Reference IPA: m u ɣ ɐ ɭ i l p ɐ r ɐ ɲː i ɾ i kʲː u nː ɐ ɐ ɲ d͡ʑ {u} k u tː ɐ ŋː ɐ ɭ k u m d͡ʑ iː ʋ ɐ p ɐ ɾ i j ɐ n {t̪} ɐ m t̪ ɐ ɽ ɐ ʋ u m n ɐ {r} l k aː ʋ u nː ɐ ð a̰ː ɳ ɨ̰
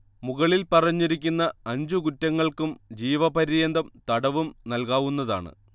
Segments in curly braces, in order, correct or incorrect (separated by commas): correct, incorrect, incorrect